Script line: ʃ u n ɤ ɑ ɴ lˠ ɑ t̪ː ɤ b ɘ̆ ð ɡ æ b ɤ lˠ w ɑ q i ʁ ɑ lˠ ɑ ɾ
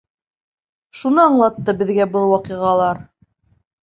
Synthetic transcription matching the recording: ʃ u n ɤ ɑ ɴ lˠ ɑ t̪ː ɤ b ɘ̆ ð ɡ æ b ɤ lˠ w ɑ q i ʁ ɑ lˠ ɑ ɾ